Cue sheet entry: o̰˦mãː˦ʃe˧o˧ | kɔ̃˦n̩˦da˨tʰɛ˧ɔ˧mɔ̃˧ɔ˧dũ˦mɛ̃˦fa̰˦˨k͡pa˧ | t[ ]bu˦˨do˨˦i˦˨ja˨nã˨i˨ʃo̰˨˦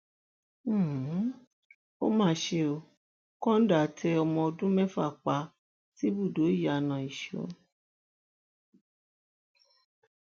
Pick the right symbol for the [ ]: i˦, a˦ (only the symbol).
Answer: i˦